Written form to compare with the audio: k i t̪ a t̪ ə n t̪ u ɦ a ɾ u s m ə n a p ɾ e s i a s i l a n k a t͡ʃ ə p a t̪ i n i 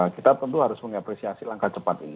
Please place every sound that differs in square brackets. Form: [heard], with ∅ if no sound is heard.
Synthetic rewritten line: k i t̪ a t̪ ə n t̪ u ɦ a ɾ [ʊ] s m ə [ŋ] a p ɾ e s i a s i l a [ŋ] k a t͡ʃ ə p a t̪ i n i